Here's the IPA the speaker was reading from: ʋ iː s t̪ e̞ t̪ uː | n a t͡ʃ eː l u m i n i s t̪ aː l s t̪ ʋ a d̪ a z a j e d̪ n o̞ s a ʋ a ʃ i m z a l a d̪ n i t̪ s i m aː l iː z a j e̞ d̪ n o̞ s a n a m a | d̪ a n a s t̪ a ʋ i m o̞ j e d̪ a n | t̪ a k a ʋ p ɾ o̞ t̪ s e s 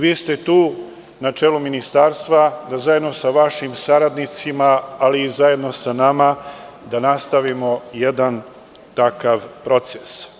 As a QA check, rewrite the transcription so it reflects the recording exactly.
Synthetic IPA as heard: ʋ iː s t̪ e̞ t̪ uː | n a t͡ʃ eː l u m i n i s t̪ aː ɾ s t̪ ʋ a d̪ a z a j e d̪ n o̞ s a ʋ a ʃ i m s a ɾ a d̪ n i t̪ s i m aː l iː z a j e̞ d̪ n o̞ s a n a m a | d̪ a n a s t̪ a ʋ i m o̞ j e d̪ a n | t̪ a k a ʋ p ɾ o̞ t̪ s e s